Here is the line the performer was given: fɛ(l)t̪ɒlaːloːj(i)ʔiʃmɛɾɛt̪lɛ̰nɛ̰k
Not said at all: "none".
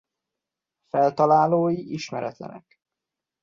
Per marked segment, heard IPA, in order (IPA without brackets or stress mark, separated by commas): l, i